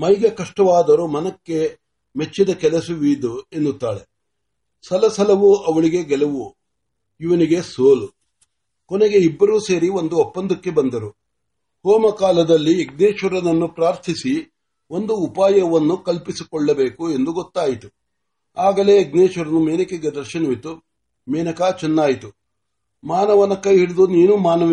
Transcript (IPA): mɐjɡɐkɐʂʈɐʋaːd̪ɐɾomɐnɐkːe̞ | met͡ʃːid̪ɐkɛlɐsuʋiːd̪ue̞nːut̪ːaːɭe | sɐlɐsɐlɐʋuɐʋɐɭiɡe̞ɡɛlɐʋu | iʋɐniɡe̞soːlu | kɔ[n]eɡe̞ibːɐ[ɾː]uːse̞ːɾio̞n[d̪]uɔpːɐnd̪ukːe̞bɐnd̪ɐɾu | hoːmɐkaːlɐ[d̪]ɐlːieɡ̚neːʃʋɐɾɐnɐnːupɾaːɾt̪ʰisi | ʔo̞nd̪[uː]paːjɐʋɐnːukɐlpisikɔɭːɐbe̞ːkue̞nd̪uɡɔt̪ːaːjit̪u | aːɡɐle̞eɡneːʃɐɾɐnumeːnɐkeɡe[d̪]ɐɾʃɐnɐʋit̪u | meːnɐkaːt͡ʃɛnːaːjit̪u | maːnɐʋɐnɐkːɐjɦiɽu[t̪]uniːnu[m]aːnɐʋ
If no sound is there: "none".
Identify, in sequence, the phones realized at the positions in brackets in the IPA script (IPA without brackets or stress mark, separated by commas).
n, ɾ, d̪, d̪, uː, d̪, d̪, m